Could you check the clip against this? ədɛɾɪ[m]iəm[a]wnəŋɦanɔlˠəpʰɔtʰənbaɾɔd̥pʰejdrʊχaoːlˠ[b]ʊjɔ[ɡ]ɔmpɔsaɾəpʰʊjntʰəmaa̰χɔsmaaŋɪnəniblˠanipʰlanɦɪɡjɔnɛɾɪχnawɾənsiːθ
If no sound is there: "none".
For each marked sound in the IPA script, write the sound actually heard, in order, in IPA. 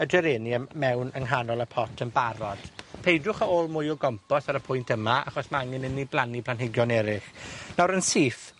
n, ɛ, m, ɡ

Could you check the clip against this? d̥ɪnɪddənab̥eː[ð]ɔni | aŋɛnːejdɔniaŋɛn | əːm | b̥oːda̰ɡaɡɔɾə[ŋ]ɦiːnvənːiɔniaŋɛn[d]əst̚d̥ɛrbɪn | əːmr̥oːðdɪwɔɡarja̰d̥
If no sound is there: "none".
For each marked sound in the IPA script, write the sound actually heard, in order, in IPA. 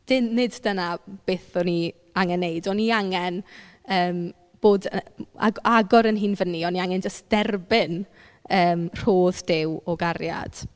θ, n, d͡ʒ

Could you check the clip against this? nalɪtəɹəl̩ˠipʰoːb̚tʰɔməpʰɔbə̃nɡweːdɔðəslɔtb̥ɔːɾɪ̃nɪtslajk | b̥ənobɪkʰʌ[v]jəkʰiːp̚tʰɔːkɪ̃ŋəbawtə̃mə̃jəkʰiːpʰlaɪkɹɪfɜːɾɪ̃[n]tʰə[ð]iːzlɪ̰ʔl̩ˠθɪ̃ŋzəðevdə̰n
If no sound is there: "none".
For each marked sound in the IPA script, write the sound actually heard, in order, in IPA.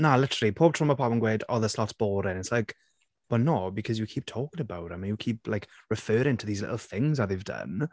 z, ŋ, ð

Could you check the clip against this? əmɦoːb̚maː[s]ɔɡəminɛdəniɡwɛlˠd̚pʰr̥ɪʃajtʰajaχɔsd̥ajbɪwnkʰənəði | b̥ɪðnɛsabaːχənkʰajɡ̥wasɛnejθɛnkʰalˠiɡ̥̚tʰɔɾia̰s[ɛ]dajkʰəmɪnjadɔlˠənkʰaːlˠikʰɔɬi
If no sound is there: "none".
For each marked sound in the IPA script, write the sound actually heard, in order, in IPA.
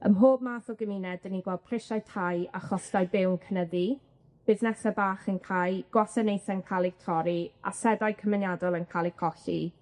θ, ɛ

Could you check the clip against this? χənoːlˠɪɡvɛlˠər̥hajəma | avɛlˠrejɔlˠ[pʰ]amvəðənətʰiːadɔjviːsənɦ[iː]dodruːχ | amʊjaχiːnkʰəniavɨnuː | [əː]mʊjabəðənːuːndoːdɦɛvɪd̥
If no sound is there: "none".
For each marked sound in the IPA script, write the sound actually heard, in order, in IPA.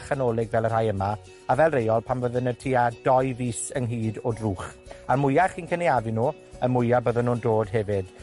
pʰ, iː, ə

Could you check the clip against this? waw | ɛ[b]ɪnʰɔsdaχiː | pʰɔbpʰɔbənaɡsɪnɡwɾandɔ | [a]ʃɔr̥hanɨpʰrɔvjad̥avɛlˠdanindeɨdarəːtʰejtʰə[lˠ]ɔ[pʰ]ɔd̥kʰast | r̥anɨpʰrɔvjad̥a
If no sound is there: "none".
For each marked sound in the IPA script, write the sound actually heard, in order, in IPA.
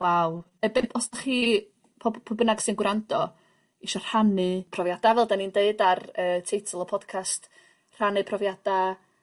b, i, lˠ, pʰ

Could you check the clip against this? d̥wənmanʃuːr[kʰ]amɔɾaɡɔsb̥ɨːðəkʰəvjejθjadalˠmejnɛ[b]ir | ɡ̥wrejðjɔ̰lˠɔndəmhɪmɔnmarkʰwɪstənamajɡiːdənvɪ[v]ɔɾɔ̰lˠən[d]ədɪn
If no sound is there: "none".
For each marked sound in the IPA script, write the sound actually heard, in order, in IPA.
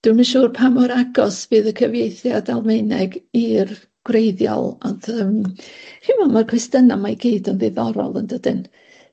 pʰ, ɡ, ð, d

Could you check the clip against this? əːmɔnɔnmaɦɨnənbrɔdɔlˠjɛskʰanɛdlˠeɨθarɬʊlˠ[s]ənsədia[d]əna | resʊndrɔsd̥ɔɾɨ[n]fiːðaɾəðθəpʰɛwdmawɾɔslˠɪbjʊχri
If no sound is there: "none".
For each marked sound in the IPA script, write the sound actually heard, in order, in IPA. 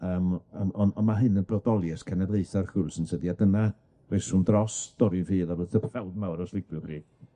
s, d, n

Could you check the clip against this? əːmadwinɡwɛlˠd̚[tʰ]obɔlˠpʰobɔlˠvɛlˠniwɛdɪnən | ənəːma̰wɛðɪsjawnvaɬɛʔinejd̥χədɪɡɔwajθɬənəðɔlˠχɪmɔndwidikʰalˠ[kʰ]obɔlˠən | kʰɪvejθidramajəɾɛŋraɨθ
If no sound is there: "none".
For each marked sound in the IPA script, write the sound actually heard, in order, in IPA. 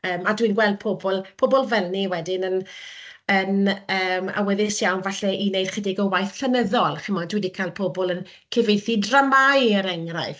pʰ, pʰ

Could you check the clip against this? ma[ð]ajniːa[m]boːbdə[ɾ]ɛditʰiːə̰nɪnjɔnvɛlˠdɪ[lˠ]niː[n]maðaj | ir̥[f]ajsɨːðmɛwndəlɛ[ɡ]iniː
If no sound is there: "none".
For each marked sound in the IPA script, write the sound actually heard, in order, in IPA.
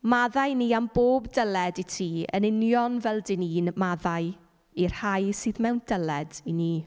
ð, m, l, none, n, h, d

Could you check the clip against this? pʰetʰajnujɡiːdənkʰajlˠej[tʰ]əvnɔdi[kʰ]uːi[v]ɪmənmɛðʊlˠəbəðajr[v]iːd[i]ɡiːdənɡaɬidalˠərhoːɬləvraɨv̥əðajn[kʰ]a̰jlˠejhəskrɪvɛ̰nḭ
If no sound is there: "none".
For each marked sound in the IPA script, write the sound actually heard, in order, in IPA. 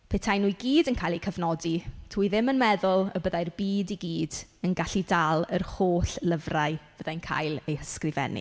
kʰ, tʰ, ð, b, i, kʰ

